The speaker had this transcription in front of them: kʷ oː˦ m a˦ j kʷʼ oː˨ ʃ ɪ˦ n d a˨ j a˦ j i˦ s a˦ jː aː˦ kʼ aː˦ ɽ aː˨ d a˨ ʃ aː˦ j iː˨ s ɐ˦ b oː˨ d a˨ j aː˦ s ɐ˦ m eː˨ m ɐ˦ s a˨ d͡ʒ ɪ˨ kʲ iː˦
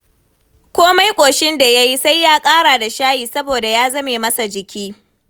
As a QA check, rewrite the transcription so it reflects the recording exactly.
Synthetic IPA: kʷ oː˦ m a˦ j kʷʼ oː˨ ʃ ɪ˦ n d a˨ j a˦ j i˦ s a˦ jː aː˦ kʼ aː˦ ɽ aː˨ d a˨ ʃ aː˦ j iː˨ s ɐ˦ b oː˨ d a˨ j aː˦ z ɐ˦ m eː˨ m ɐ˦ s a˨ d͡ʒ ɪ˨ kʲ iː˦